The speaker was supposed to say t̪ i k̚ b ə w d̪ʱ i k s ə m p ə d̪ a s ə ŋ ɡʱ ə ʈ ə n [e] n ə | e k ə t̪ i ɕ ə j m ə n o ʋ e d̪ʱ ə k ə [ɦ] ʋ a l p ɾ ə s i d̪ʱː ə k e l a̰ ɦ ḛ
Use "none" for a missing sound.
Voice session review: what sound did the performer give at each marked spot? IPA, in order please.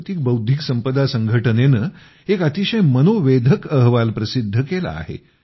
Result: e, ɦ

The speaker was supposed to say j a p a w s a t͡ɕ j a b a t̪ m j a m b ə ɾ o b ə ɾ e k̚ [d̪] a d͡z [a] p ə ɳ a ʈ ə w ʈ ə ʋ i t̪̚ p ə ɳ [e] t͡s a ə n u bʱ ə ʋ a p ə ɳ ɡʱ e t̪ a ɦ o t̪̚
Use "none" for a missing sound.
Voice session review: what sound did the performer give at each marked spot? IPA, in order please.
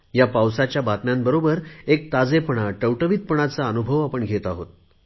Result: t̪, e, a

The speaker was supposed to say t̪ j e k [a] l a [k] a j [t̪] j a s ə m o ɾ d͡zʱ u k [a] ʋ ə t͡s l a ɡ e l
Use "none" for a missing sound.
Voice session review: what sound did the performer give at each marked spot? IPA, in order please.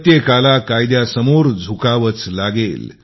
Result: a, k, d̪, a

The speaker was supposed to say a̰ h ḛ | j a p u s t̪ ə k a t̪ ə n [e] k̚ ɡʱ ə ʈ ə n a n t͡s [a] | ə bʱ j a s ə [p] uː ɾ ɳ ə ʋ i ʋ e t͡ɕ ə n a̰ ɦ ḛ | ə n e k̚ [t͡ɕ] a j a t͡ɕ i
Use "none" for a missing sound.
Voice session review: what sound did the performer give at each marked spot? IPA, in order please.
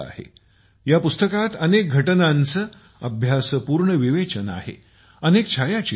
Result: e, ə, p, t͡ɕʰ

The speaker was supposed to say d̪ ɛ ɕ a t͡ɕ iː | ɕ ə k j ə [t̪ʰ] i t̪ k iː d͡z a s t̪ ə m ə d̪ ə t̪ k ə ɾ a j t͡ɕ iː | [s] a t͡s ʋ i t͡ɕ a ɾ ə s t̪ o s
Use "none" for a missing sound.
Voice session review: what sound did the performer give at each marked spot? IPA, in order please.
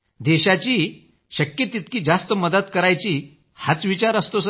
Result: t̪, h

